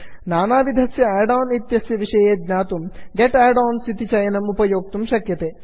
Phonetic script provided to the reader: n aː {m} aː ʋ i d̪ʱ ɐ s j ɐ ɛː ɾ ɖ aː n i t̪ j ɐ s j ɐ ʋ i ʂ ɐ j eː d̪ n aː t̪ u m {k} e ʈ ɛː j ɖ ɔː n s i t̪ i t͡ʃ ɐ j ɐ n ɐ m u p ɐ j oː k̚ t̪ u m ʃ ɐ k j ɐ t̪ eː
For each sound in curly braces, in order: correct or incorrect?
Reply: incorrect: n, incorrect: ɡ

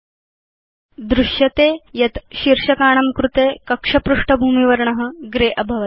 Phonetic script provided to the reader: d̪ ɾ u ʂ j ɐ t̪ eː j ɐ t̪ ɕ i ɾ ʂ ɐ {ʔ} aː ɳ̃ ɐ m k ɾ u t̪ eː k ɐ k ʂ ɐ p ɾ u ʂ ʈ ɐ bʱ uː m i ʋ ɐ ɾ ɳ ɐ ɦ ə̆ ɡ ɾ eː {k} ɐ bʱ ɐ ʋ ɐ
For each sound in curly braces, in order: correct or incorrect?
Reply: incorrect: k, incorrect: ʔ

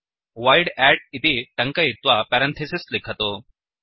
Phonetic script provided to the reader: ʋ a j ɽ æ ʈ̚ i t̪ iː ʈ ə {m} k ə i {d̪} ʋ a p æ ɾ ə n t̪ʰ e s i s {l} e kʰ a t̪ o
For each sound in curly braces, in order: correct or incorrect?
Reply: incorrect: ŋ, incorrect: t̪, correct

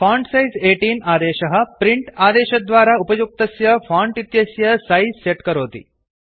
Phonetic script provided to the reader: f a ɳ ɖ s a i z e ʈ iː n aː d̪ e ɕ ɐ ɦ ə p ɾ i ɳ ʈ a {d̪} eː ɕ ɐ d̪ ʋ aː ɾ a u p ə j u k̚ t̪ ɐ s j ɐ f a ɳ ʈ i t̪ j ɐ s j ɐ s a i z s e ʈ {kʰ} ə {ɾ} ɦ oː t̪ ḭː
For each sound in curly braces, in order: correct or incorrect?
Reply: correct, incorrect: k, correct

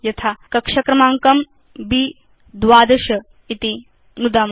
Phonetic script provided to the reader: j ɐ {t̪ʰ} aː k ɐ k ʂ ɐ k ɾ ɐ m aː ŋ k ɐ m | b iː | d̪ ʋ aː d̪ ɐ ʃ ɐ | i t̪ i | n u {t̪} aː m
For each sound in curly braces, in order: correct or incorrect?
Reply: correct, incorrect: d̪

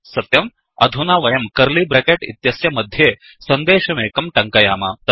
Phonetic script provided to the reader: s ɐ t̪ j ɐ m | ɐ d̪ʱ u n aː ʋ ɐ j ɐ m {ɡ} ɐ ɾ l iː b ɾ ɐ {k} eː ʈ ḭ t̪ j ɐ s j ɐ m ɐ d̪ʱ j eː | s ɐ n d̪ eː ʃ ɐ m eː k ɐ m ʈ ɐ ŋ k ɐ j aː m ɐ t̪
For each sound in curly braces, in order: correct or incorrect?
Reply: incorrect: k, correct

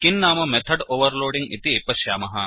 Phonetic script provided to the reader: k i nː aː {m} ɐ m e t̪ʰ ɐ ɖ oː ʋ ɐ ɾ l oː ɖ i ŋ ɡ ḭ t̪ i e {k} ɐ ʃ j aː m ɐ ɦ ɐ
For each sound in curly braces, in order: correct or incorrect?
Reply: correct, incorrect: p

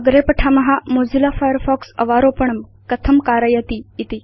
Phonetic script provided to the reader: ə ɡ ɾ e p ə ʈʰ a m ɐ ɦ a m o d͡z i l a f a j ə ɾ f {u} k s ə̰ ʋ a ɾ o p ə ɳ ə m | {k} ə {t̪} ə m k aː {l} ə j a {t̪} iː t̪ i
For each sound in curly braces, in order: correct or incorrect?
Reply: incorrect: ɔ, correct, incorrect: t̪ʰ, incorrect: ɾ, correct

